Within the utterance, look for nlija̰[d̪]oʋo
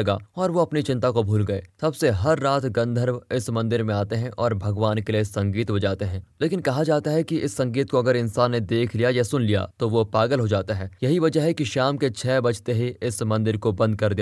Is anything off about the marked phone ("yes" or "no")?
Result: yes